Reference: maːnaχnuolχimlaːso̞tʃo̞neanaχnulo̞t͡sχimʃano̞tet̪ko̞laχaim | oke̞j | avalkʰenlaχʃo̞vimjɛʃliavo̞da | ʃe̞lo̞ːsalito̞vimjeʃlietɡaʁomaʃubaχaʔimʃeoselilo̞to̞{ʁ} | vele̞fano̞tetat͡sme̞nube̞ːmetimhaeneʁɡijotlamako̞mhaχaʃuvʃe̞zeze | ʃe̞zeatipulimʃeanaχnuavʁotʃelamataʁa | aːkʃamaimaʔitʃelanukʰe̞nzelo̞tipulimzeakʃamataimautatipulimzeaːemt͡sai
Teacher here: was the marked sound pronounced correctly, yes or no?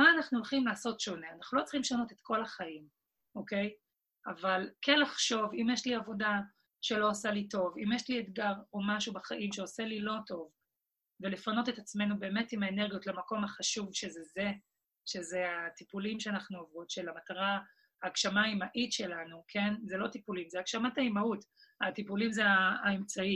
no